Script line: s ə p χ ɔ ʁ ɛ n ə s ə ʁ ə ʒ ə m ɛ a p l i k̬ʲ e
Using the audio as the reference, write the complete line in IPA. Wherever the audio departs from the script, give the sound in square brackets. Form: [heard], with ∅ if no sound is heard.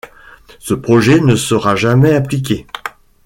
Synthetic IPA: s ə p χ ɔ [ʒ] ɛ n ə s ə ʁ [a] ʒ [a] m ɛ a p l i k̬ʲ e